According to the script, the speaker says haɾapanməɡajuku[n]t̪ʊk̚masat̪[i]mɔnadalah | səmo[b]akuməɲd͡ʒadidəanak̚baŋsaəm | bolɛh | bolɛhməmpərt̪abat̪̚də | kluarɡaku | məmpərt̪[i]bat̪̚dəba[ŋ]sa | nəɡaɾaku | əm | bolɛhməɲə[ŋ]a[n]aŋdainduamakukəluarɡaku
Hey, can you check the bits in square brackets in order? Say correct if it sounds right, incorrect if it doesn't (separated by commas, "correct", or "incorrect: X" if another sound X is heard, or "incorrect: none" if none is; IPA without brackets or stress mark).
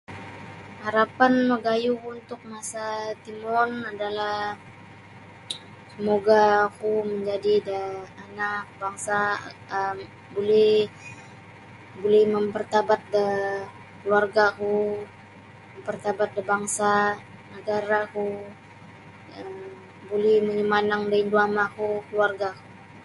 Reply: correct, correct, incorrect: ɡ, incorrect: a, correct, incorrect: m, correct